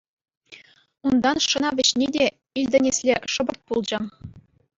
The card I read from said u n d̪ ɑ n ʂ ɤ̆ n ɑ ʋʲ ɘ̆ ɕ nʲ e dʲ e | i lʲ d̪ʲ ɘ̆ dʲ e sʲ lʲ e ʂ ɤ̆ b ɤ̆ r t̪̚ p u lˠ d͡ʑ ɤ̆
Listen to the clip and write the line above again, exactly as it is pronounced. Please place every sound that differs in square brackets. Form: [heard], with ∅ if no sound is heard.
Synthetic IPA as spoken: u n d̪ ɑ n ʂ ɤ̆ n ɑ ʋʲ ɘ̆ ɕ nʲ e dʲ e | i lʲ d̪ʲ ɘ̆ [nʲ] e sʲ lʲ e ʂ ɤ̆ b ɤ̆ r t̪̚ p u lˠ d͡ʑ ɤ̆